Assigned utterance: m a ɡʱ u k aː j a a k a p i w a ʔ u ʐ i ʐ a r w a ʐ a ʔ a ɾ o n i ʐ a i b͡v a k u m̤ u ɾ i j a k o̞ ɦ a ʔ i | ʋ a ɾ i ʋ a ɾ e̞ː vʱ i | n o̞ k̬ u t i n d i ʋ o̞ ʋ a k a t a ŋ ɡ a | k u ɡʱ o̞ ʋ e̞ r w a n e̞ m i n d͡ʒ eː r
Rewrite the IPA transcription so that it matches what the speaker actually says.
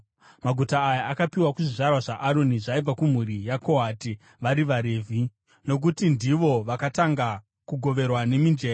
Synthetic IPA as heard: m a ɡʱ u t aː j a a k a p i w a k u ʐ i ʐ a r w a ʐ a ʔ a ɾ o n i ʐ a i b͡v a k u m̤ u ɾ i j a k o̞ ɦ a t i | ʋ a ɾ i ʋ a ɾ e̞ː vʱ i | n o̞ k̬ u t i n d i ʋ o̞ ʋ a k a t a ŋ ɡ a | k u ɡʱ o̞ ʋ e̞ r w a n e̞ m i n d͡ʒ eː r